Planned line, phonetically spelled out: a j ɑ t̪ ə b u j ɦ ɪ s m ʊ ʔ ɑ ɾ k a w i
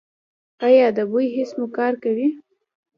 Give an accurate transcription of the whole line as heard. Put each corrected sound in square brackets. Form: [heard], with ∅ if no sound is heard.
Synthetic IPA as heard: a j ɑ [d̪] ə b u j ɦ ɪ s m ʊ [k] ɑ ɾ k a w i